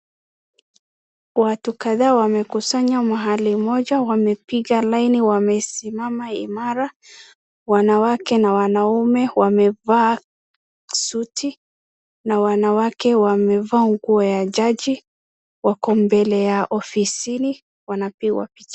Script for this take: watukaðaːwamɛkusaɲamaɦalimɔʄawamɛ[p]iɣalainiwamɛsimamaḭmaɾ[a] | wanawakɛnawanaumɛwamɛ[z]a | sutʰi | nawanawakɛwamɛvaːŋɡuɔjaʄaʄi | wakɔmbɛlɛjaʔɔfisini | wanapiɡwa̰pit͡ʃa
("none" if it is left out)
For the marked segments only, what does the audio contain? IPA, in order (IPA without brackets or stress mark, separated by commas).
p, a, v